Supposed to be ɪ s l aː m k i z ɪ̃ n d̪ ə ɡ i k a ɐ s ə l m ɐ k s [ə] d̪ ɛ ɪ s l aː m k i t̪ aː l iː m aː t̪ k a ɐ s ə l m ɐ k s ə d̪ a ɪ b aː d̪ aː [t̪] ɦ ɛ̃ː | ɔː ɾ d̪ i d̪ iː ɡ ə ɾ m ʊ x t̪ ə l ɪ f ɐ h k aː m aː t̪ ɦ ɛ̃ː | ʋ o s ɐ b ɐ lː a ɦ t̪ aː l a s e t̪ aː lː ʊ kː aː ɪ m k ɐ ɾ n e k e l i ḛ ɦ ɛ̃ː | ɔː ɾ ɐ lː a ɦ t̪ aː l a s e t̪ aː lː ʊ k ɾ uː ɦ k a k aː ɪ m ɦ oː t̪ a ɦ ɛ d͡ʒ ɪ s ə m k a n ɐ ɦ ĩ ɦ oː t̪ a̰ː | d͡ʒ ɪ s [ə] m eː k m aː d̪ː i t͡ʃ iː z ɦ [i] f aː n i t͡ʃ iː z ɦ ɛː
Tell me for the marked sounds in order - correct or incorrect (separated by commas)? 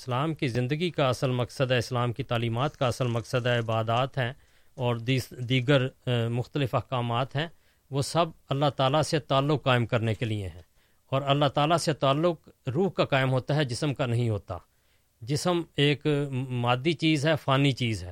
correct, correct, correct, incorrect